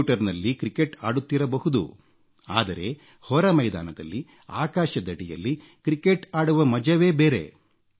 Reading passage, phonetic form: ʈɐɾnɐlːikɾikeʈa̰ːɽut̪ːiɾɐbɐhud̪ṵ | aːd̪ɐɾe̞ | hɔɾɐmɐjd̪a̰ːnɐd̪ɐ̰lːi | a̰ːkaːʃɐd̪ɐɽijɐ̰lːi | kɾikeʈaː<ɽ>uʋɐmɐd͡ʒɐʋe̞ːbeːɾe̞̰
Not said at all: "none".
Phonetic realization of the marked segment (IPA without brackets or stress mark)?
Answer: ɽ